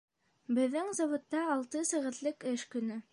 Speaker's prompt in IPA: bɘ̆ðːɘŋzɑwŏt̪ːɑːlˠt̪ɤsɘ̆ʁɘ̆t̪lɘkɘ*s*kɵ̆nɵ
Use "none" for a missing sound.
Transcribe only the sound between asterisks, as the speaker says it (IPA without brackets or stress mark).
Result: ʃ